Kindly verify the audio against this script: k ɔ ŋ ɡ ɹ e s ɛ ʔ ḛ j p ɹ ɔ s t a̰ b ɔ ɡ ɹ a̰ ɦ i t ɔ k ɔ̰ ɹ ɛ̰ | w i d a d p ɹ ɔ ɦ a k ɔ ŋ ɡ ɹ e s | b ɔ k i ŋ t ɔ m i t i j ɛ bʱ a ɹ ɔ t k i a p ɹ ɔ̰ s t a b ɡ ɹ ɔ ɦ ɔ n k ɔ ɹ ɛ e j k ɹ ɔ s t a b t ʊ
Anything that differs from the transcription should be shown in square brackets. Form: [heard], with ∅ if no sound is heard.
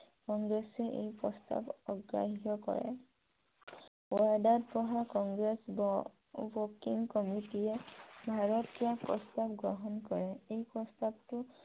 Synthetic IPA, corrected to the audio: k ɔ ŋ ɡ ɹ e s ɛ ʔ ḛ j p ɹ ɔ s t a̰ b ɔ ɡ ɹ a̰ ɦ i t ɔ k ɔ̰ ɹ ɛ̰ | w [a] d a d p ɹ ɔ ɦ a k ɔ ŋ ɡ ɹ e s | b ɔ k i ŋ [k] ɔ m i t i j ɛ bʱ a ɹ ɔ t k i a p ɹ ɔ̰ s t a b ɡ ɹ ɔ ɦ ɔ n k ɔ ɹ ɛ e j [p] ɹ ɔ s t a b t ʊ